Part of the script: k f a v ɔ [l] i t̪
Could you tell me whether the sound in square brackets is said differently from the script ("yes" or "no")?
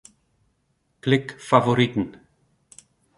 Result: yes